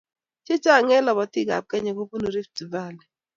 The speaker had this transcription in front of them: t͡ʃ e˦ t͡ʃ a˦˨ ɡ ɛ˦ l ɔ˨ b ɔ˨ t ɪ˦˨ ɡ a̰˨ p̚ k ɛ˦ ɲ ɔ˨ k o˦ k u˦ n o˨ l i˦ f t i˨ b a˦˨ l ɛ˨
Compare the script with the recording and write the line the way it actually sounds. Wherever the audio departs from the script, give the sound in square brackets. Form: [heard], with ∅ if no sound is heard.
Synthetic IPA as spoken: t͡ʃ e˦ t͡ʃ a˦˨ [ŋ] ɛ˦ l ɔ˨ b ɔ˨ t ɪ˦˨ ɡ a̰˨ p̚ k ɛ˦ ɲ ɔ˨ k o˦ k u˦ n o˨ [ɾ] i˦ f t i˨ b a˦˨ l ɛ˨